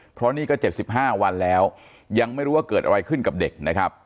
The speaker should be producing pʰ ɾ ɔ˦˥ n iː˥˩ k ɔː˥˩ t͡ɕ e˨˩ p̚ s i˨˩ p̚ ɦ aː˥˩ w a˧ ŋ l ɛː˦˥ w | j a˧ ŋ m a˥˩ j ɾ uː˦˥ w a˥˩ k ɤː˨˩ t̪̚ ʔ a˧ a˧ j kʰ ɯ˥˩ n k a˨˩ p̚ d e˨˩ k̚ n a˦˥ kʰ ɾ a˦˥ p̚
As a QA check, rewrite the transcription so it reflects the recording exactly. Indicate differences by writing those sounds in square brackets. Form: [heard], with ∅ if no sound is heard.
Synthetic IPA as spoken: pʰ ɾ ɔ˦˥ n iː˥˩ k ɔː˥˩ t͡ɕ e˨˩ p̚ s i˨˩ p̚ ɦ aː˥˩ w a˧ [n] l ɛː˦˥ w | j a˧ ŋ m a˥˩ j ɾ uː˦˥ w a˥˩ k ɤː˨˩ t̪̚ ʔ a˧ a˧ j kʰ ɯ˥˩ n k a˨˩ p̚ d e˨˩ k̚ n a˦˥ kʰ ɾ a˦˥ p̚